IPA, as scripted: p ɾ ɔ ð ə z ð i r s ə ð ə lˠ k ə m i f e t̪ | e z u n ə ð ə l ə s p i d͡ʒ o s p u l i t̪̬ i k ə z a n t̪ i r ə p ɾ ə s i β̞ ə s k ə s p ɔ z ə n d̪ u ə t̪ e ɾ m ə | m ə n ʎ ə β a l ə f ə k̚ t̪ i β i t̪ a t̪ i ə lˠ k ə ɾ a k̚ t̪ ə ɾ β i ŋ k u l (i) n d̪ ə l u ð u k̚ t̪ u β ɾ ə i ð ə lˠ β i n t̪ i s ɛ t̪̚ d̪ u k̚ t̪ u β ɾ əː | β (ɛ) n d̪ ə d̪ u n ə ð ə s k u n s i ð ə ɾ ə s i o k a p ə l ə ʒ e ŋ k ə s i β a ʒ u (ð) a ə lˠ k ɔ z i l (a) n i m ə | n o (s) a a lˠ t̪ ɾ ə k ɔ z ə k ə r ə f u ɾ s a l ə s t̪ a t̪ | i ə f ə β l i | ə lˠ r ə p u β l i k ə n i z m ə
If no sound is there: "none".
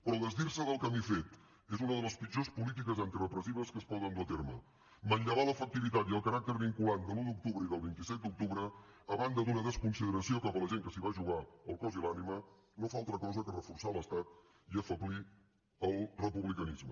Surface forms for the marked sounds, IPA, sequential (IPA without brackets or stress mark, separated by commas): a, a, ɣ, a, f